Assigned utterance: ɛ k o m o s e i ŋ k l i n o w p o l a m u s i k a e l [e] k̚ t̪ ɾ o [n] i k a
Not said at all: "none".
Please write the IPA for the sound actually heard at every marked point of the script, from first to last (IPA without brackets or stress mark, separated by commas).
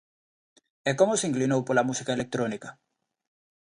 e, n